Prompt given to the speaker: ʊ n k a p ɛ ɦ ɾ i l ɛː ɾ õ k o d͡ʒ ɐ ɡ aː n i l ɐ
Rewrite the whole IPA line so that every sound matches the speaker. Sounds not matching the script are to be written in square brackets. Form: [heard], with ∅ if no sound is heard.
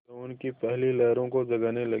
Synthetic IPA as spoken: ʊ n k [i] p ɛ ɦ [l] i l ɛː ɾ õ k o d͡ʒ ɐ ɡ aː n [e] l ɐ